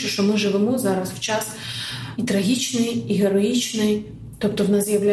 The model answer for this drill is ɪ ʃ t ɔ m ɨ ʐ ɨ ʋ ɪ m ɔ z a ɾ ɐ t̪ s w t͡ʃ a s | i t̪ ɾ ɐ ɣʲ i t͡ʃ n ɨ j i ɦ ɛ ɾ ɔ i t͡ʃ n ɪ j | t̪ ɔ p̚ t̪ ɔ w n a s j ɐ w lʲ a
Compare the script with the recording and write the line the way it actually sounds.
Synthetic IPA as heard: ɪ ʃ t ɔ m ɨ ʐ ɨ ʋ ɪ m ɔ z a ɾ ɐ s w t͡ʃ a s | i t̪ ɾ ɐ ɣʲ i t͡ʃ n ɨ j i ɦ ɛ ɾ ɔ i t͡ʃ n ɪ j | t̪ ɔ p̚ t̪ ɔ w n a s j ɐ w lʲ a